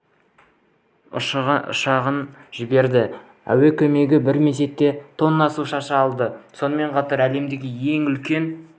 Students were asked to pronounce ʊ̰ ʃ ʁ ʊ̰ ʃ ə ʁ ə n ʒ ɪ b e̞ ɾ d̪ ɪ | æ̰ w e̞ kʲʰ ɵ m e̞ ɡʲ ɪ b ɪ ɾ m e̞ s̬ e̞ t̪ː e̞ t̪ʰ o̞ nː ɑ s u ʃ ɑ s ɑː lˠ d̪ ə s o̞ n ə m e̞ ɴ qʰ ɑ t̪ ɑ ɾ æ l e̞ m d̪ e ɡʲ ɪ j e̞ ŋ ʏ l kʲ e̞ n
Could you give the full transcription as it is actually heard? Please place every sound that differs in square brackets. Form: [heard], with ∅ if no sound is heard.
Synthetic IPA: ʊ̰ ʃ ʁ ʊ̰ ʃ [ɑ] ʁ ə n ʒ ɪ b e̞ ɾ d̪ ɪ | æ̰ w e̞ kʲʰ ɵ m e̞ ɡʲ ɪ b ɪ ɾ m e̞ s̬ e̞ t̪ː e̞ t̪ʰ o̞ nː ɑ s u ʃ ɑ [ʃ] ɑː lˠ d̪ ə s o̞ n ə m e̞ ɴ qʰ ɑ t̪ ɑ ɾ æ l e̞ m d̪ e ɡʲ ɪ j e̞ ŋ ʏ l kʲ e̞ n